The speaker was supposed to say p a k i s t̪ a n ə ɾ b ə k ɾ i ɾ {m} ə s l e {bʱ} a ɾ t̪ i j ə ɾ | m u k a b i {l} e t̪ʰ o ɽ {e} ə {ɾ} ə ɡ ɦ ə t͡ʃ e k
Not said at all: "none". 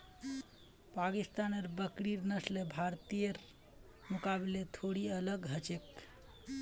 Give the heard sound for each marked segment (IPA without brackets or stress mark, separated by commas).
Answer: n, bʱ, l, i, l